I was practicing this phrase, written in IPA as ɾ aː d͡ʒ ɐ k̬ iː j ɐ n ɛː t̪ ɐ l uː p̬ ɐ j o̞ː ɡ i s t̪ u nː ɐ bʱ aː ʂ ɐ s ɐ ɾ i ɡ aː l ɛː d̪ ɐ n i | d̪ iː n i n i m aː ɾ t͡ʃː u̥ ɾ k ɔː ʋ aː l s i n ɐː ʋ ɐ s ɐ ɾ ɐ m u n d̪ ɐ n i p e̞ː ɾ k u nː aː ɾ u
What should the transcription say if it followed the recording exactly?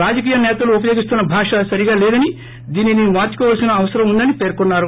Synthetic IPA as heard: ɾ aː d͡ʒ ɐ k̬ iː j ɐ n ɛː t̪ ɐ l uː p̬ ɐ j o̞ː ɡ i s t̪ u nː ɐ bʱ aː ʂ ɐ s ɐ ɾ i ɡ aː l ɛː d̪ ɐ n i | d̪ iː n i n i m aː ɾ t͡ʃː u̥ k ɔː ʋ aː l s i n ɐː ʋ ɐ s ɐ ɾ ɐ m u n d̪ ɐ n i p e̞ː ɾ k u nː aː ɾ u

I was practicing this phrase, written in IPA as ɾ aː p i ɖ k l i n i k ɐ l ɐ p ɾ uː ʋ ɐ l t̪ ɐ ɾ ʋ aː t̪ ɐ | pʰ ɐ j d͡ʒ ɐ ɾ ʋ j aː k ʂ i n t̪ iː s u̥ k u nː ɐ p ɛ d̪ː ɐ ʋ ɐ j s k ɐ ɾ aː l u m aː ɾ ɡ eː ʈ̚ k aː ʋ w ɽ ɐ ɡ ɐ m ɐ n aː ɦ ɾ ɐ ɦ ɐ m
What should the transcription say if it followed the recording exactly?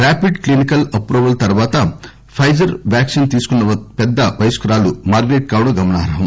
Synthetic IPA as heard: ɾ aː p i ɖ k l i n i k ɐ l ɐ p ɾ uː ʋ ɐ l t̪ ɐ ɾ ʋ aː t̪ ɐ | pʰ ɐ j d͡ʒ ɐ ɾ ʋ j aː k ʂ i n t̪ iː s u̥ k u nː ɐ p ɛ d̪ː ɐ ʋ ɐ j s k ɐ ɾ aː l u m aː ɾ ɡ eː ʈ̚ k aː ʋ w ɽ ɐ ɡ ɐ m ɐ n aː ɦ ɾ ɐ ɦ ɐ m

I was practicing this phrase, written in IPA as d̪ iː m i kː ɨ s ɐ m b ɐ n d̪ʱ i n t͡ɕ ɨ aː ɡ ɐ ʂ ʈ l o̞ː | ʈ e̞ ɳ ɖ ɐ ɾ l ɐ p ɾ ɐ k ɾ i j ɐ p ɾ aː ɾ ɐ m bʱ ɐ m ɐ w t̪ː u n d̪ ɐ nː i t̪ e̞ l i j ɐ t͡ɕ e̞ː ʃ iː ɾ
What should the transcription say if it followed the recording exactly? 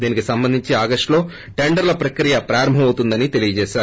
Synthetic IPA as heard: d̪ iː n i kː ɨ s ɐ m b ɐ n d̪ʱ i ɲ t͡ɕ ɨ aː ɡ ɐ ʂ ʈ l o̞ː | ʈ e̞ ɳ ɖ ɐ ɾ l ɐ p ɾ ɐ k ɾ i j ɐ p ɾ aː ɾ ɐ m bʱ ɐ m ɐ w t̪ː u n d̪ ɐ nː i t̪ e̞ l i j ɐ t͡ɕ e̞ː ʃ aː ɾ

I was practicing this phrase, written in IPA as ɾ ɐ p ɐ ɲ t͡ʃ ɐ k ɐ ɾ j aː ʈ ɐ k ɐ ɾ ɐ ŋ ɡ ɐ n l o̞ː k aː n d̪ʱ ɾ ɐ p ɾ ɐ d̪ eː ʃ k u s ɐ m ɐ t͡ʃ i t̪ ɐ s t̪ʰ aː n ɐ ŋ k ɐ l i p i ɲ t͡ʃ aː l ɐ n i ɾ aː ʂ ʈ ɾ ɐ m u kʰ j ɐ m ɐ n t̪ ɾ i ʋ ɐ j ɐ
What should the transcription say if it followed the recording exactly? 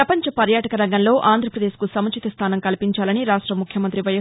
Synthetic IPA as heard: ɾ ɐ p ɐ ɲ t͡ʃ ɐ p ɐ ɾ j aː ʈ ɐ k ɐ ɾ ɐ ŋ ɡ ɐ n l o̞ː ʔ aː n d̪ʱ ɾ ɐ p ɾ ɐ d̪ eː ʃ k u s ɐ m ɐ t͡ʃ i t̪ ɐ s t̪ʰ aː n ɐ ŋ k ɐ l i p i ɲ t͡ʃ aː l ɐ n i ɾ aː ʂ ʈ ɾ ɐ m u kʰ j ɐ m ɐ n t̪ ɾ i ʋ ɐ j ɐ

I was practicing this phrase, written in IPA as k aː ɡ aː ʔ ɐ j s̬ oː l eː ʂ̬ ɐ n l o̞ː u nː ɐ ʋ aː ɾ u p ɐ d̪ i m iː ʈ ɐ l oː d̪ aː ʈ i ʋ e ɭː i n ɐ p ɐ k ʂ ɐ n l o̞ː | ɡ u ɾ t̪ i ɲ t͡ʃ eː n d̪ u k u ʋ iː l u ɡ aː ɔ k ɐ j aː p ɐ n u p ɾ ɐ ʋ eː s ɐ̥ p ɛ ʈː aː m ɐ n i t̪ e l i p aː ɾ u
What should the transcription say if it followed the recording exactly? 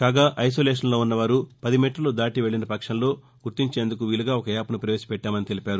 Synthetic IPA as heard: k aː ɡ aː ʔ ɐ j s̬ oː l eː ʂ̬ ɐ n l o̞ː u nː ɐ ʋ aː ɾ u p ɐ d̪ i m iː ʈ ɐ l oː d̪ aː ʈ i ʋ e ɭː i n ɐ p ɐ k ʂ ɐ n l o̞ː | ɡ u ɾ t̪ i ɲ t͡ʃ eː n d̪ u k u ʋ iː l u ɡ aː ɔ k ɐ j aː p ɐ n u p ɾ ɐ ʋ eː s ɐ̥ p ɛ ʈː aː m ɐ n i t̪ e l i p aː ɾ u

